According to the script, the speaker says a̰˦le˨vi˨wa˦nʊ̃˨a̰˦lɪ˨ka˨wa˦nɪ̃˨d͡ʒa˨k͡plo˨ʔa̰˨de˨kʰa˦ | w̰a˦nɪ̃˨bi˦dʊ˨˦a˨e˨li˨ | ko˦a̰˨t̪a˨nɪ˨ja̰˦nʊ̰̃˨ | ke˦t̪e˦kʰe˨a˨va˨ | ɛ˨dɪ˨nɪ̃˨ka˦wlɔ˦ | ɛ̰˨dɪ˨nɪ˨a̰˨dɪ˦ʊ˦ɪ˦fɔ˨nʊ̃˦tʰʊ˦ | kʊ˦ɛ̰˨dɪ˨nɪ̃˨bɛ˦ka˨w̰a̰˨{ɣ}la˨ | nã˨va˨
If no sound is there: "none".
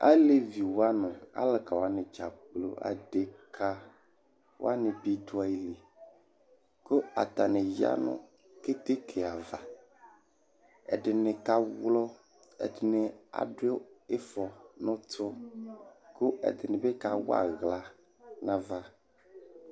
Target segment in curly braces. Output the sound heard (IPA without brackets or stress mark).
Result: ɣ